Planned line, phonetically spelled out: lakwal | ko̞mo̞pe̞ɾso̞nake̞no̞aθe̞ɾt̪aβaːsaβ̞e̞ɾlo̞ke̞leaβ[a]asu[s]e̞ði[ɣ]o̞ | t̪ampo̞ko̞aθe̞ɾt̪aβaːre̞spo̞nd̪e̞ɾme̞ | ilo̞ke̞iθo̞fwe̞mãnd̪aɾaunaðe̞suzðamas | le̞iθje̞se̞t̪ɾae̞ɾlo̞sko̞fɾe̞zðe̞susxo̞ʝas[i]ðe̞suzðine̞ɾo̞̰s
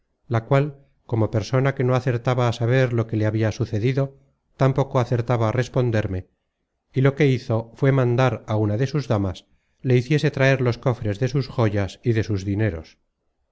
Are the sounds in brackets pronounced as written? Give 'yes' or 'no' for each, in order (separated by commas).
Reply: no, no, no, yes